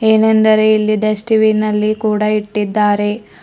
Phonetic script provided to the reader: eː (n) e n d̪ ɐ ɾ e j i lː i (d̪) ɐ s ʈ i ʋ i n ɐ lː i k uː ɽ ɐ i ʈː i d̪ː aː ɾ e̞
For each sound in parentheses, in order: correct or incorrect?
correct, correct

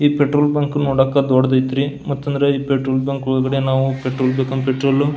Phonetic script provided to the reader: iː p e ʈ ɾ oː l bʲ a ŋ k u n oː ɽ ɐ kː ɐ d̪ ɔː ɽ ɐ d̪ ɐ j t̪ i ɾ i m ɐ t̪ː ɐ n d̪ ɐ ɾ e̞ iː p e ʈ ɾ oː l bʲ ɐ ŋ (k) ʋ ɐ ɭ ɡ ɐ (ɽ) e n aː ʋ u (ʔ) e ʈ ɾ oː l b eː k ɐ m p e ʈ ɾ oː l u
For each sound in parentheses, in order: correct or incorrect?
correct, correct, incorrect: p

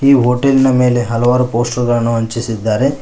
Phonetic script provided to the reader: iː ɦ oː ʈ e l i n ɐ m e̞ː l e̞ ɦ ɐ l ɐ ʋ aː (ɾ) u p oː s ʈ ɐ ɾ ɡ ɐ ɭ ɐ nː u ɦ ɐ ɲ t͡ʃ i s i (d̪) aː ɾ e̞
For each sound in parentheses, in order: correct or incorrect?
correct, incorrect: d̪ː

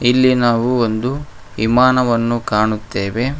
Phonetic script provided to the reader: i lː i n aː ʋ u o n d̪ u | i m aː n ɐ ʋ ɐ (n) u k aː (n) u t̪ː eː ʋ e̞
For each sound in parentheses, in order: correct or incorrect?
incorrect: nː, incorrect: ɳ

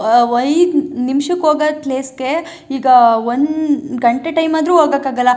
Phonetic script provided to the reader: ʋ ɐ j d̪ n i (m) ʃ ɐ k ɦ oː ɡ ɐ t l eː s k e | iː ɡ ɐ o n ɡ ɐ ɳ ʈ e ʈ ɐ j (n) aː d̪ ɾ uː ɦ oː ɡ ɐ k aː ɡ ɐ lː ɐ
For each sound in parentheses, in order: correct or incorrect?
correct, incorrect: m

